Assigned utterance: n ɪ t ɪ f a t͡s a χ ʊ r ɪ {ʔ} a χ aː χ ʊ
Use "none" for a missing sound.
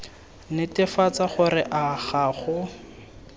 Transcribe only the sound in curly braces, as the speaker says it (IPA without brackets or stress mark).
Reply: ʔ